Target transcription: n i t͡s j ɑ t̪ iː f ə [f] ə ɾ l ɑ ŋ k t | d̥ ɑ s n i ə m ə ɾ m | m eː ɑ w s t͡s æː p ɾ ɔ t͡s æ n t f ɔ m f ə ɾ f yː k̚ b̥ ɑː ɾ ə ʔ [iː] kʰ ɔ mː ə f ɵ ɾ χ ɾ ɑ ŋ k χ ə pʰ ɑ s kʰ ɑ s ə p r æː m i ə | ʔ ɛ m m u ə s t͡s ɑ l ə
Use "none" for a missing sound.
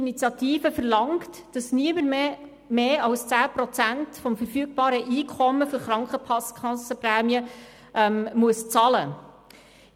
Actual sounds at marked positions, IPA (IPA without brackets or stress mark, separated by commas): f, iː